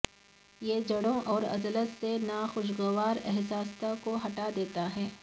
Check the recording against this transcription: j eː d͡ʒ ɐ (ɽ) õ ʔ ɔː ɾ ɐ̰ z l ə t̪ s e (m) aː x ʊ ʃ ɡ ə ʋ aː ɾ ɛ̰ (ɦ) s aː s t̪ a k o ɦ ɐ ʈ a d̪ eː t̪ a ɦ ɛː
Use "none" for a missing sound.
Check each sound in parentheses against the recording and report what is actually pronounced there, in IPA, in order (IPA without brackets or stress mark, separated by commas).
ɽ, n, ɦ